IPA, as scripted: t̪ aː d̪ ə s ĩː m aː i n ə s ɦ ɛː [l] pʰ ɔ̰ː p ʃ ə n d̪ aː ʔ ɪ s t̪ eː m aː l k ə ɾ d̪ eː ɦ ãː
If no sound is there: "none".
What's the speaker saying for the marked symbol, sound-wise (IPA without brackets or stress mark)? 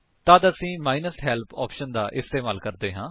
l